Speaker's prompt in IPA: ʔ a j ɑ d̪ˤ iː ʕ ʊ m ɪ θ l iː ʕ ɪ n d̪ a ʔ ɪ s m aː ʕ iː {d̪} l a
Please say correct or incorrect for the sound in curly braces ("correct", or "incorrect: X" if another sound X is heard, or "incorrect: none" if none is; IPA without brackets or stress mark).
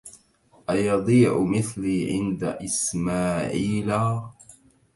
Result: incorrect: none